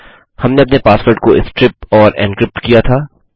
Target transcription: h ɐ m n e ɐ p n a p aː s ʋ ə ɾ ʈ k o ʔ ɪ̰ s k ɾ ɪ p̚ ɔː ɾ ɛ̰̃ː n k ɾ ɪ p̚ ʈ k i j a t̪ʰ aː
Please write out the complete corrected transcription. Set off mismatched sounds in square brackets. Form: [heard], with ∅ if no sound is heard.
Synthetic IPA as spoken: h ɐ m n e ɐ p n [e] p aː s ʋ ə ɾ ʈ k o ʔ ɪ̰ s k ɾ ɪ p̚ ɔː ɾ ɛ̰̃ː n k ɾ ɪ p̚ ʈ k i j a t̪ʰ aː